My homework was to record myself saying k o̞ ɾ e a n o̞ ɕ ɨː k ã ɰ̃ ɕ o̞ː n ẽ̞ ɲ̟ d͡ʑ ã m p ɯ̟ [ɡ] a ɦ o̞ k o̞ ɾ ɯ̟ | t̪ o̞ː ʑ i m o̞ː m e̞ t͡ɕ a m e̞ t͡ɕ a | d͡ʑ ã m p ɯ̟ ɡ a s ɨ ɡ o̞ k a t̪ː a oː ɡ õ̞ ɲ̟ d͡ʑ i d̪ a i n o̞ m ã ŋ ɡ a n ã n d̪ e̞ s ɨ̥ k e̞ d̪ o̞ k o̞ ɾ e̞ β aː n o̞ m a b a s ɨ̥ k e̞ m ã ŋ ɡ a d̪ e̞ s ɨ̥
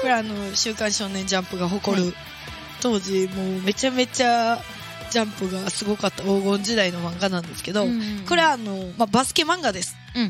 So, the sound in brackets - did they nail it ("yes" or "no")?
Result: yes